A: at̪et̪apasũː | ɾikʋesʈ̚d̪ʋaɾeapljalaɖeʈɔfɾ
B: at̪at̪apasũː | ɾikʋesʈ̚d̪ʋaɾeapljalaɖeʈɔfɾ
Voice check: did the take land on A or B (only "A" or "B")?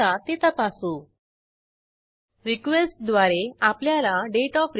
A